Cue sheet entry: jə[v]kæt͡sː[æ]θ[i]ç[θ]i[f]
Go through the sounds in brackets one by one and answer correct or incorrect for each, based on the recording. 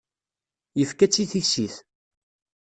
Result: incorrect, incorrect, correct, incorrect, incorrect

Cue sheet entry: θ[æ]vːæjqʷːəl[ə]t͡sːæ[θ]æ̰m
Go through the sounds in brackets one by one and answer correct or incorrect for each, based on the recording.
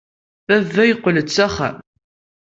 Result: correct, correct, incorrect

